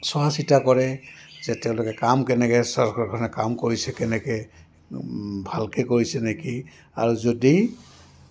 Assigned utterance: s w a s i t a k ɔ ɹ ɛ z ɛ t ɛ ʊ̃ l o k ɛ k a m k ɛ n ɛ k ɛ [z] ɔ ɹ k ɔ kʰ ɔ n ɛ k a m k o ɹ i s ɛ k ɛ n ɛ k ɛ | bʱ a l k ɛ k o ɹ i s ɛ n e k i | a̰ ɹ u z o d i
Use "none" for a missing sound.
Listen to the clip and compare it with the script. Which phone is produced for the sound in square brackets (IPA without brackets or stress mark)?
s